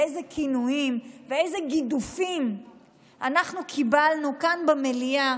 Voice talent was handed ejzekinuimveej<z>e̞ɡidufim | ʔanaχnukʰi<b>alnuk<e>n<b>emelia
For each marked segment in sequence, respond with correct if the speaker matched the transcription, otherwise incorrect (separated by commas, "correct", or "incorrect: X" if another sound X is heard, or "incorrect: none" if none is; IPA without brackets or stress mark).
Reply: correct, correct, incorrect: a, correct